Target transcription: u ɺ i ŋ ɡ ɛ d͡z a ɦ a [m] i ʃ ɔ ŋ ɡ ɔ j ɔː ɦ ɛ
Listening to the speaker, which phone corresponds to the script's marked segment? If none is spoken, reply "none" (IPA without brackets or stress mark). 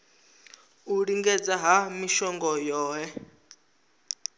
m